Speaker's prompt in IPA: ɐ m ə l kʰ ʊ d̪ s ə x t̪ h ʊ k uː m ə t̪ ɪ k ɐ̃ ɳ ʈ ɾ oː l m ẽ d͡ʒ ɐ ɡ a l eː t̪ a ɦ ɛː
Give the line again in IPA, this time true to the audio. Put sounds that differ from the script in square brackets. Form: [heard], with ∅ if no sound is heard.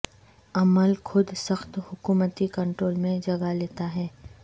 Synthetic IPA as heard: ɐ m ə l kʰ ʊ d̪ s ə x t̪ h ʊ k uː m ə t̪ [i] k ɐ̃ ɳ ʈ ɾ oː l m ẽ d͡ʒ ɐ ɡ a l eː t̪ a ɦ ɛː